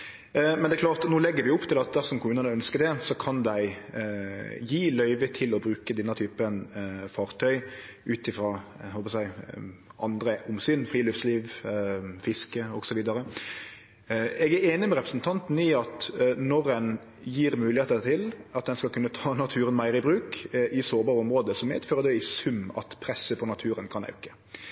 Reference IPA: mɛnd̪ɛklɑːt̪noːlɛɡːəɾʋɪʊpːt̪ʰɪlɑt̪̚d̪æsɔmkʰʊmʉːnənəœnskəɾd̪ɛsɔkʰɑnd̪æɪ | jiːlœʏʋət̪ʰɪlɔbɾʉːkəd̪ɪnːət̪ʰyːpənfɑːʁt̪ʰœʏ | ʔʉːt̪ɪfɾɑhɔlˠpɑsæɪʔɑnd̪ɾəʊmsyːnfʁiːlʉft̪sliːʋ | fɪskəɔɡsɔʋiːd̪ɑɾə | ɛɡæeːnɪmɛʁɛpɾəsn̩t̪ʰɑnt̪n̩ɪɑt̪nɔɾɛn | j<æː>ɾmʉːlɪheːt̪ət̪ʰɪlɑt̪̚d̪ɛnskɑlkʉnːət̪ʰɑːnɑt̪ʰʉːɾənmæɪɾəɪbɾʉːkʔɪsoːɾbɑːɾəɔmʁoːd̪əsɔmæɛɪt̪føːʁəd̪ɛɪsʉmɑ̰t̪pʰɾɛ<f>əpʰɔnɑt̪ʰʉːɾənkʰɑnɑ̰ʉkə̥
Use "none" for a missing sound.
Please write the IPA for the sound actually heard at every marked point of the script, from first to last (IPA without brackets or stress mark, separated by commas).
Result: iː, s